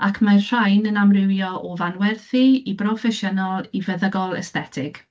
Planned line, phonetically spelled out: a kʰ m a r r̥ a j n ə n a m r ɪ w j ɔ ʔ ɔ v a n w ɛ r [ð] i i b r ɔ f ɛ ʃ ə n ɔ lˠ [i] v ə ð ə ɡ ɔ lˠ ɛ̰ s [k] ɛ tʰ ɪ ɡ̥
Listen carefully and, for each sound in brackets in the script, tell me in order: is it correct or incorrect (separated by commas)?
incorrect, correct, incorrect